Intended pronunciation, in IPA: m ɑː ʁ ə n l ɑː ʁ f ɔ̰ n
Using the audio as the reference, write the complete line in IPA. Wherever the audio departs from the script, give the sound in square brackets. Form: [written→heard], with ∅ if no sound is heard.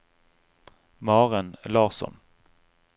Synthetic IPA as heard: m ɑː ʁ ə n l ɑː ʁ [f→s] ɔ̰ n